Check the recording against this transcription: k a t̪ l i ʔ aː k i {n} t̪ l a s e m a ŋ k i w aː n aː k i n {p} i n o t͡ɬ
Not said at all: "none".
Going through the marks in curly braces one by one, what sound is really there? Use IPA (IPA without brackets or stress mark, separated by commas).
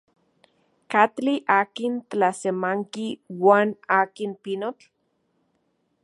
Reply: n, p